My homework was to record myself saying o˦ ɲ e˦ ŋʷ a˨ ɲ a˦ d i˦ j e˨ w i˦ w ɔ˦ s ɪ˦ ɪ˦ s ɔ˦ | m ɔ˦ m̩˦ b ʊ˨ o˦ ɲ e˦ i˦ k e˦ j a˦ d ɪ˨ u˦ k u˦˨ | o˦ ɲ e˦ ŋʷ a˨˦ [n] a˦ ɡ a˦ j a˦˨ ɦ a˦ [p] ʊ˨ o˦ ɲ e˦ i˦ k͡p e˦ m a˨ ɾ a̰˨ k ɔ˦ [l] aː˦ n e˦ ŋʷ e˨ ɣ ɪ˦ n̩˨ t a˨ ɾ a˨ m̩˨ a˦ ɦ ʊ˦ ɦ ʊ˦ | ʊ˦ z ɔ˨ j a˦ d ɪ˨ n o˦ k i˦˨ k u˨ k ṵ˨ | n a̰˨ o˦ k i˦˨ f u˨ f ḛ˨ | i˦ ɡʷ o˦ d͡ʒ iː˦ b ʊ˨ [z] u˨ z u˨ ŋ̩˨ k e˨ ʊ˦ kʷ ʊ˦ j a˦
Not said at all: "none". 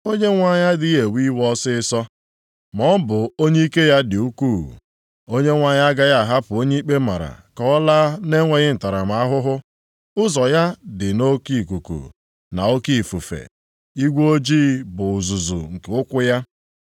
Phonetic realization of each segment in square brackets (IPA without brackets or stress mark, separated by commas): ɲ, p, l, z